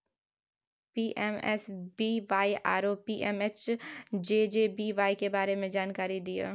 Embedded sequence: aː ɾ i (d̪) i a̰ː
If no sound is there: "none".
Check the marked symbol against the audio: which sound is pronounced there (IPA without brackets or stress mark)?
d̪